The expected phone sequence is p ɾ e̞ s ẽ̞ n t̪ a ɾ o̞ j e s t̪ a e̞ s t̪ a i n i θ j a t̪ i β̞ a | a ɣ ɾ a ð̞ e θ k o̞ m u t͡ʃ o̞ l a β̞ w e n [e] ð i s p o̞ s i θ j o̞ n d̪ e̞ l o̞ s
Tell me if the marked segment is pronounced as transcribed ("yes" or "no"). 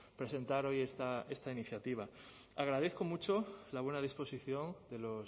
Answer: no